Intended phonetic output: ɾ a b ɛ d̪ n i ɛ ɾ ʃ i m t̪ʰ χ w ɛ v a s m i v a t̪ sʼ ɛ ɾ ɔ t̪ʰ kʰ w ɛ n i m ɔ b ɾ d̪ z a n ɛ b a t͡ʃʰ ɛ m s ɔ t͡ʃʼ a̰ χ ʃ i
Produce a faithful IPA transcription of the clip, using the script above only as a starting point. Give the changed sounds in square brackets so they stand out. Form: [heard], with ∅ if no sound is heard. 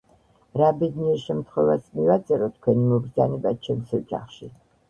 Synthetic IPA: ɾ a b ɛ d̪ n i ɛ ɾ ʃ [ɛ] m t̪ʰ χ w ɛ v a s m i v a t̪ sʼ ɛ ɾ ɔ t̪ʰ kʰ w ɛ n i m ɔ b ɾ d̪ z a n ɛ b a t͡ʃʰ ɛ m s ɔ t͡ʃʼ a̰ χ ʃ i